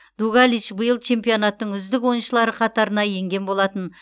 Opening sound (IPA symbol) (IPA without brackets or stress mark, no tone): d̪